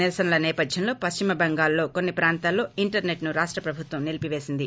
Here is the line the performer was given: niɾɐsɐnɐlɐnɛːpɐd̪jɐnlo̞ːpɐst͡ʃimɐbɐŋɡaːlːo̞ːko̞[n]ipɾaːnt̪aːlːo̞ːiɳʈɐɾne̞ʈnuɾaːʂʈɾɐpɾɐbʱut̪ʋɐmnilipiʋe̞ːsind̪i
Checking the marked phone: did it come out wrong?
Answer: yes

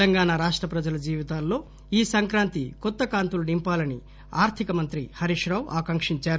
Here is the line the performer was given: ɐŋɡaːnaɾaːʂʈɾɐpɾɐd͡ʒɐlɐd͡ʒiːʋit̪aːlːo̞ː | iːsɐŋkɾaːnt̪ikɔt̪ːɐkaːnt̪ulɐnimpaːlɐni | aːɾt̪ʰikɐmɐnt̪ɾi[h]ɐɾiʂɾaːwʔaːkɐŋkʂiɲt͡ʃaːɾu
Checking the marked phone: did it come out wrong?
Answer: no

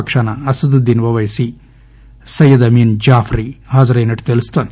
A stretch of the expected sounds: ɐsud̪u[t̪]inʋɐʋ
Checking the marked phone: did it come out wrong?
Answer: yes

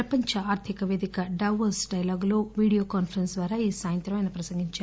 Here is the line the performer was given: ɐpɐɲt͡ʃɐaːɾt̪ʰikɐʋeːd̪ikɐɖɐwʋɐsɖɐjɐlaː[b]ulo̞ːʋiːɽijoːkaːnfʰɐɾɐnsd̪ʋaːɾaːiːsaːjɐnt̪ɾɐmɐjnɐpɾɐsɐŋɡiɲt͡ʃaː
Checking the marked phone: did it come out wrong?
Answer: yes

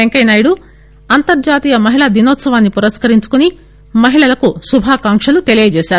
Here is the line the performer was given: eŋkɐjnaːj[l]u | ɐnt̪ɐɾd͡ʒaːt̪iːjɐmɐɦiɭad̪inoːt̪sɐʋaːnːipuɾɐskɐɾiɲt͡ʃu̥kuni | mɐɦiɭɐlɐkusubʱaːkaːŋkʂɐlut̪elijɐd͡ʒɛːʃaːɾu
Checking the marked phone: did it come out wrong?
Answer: yes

